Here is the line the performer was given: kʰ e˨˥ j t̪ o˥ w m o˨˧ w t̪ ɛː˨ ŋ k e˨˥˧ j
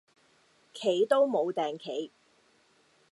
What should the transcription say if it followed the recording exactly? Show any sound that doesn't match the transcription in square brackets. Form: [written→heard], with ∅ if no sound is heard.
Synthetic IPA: kʰ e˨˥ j t̪ o˥ w m o˨˧ w t̪ ɛː˨ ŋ [k→kʰ] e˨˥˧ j